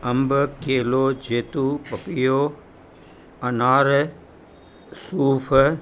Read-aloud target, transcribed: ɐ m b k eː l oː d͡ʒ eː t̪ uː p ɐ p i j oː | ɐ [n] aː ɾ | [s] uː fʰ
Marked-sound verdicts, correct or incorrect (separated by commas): correct, correct